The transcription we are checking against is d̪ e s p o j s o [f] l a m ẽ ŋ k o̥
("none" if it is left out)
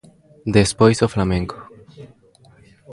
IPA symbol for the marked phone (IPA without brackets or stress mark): f